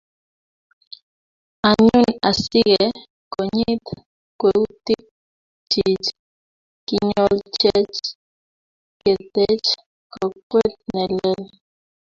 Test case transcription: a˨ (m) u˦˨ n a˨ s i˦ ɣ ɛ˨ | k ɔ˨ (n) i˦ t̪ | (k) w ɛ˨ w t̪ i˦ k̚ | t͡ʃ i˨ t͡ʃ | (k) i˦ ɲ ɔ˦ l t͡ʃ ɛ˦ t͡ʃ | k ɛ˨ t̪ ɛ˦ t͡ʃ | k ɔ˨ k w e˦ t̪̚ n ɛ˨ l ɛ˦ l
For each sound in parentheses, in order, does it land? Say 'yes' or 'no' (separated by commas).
no, no, yes, yes